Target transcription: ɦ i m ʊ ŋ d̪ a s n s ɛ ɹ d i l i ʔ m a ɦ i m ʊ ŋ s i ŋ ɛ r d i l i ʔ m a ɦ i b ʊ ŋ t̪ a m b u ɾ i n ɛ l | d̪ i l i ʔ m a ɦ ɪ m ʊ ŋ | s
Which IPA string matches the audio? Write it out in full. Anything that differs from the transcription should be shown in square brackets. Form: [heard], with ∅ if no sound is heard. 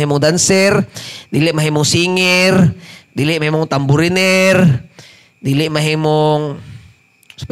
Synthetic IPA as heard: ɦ i m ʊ ŋ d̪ a [∅] n s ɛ [r] d i l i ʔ m a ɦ i m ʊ ŋ s i ŋ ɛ r d i l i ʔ m a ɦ i [m] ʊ ŋ t̪ a m b u ɾ i n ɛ [r] | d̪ i l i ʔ m a ɦ [i] m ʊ ŋ | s